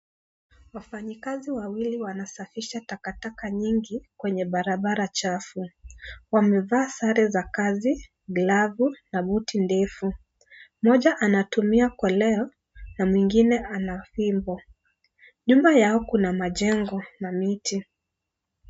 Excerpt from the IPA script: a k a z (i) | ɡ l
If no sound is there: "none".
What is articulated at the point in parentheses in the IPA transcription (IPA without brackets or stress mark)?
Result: i